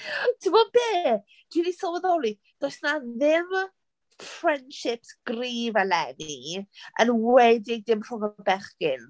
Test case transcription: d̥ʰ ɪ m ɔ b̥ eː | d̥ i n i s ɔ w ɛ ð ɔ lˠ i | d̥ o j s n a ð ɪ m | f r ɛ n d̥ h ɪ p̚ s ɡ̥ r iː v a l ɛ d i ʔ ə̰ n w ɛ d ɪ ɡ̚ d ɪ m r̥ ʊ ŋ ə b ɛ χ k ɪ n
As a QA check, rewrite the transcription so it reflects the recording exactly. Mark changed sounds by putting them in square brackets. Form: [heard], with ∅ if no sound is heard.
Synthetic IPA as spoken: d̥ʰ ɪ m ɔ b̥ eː | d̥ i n i s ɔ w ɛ ð ɔ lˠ i | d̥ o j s n a ð ɪ m | f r ɛ n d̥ [ʃ] ɪ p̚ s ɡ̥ r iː v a l ɛ [n] i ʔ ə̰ n w ɛ d ɪ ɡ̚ d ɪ m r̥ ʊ ŋ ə b ɛ χ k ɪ n